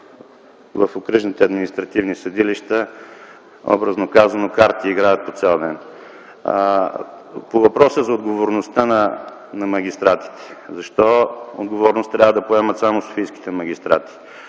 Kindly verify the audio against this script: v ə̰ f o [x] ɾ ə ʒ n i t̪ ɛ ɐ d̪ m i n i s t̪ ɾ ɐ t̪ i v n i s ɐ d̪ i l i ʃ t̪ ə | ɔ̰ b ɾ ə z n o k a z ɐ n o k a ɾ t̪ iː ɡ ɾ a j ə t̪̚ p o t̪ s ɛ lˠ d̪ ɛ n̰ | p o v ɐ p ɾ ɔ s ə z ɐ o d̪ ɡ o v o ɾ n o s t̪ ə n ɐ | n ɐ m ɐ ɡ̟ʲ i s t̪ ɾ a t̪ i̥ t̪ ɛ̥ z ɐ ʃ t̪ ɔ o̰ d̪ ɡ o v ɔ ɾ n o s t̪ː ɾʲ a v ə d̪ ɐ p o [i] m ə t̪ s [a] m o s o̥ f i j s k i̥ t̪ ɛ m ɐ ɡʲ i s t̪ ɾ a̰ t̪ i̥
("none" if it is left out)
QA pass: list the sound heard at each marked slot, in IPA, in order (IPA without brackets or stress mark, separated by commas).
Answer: k, ɛ, a